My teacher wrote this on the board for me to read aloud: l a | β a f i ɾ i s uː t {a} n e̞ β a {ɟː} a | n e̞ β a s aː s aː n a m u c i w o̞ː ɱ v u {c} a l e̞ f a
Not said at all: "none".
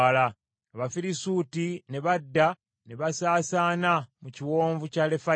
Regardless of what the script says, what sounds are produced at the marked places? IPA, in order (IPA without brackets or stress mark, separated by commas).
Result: i, dː, c